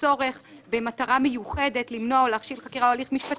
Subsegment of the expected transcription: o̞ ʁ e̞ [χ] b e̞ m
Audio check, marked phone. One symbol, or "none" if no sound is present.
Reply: χ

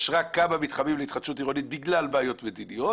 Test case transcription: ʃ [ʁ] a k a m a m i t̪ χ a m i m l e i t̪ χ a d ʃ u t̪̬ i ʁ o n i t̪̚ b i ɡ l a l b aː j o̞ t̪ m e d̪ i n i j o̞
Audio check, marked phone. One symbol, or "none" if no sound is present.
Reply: ʁ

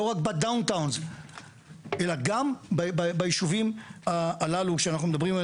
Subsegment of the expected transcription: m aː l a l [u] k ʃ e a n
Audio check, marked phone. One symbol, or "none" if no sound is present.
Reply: u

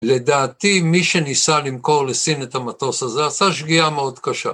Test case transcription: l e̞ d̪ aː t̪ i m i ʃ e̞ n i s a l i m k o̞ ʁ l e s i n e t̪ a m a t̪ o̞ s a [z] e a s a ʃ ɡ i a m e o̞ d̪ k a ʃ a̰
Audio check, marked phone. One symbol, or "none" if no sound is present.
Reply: z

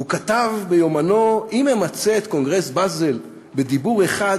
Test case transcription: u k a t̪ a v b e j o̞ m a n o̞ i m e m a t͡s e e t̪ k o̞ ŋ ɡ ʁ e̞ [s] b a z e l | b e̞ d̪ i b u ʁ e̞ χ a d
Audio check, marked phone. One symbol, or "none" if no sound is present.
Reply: s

